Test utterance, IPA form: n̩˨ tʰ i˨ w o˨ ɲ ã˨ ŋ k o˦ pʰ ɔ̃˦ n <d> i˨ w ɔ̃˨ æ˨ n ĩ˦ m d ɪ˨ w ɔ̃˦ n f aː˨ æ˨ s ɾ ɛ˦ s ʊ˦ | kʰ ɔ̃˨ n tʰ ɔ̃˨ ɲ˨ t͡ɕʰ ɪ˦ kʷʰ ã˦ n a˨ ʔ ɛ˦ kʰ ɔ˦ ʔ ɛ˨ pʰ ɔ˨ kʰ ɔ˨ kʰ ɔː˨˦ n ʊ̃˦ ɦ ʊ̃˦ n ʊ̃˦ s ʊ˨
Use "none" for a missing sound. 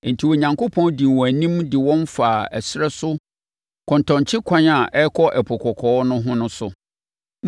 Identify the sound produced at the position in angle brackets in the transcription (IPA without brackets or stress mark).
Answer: d